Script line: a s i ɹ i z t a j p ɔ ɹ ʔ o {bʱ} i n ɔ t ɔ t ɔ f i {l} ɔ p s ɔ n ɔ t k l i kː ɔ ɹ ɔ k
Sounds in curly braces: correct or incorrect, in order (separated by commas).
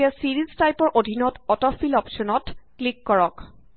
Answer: incorrect, correct